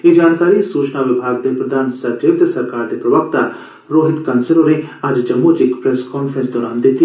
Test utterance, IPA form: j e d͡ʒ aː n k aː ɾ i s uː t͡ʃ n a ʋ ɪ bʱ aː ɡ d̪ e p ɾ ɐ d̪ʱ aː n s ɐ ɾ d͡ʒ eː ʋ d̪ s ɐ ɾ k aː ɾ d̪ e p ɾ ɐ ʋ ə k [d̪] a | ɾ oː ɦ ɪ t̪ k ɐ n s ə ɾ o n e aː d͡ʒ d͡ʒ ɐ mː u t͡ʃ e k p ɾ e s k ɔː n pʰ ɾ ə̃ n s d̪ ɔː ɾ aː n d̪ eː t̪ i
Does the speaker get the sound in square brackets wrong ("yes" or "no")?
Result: yes